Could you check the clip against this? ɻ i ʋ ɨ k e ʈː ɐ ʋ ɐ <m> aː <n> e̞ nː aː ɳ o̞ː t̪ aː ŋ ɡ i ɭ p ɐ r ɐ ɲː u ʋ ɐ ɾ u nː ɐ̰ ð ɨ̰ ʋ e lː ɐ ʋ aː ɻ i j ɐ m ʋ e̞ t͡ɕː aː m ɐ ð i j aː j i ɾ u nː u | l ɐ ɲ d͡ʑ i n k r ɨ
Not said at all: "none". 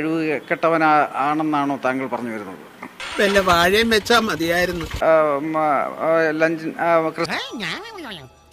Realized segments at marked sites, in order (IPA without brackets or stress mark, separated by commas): n, ɳ